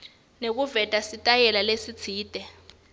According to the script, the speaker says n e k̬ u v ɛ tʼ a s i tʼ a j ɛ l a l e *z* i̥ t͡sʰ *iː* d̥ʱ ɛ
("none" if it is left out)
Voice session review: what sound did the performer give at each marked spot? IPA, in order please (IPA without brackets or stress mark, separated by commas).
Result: s, iː